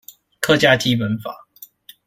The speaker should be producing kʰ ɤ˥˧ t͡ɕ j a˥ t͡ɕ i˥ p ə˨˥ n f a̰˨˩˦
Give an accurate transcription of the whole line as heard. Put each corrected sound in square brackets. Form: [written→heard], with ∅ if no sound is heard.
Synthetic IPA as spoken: kʰ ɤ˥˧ t͡ɕ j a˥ t͡ɕ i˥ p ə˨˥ n f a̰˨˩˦